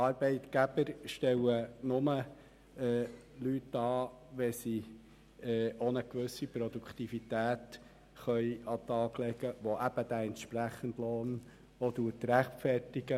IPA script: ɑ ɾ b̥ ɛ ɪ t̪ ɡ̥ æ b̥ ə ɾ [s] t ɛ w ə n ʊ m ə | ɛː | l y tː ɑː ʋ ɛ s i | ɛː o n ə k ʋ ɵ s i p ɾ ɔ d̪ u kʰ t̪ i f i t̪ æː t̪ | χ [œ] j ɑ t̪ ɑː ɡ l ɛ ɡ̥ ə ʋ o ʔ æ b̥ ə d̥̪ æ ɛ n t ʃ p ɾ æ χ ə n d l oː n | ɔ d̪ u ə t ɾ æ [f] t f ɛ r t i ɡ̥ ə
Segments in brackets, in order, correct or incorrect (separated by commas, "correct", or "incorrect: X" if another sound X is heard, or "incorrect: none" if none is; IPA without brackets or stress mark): incorrect: ʃ, correct, incorrect: χ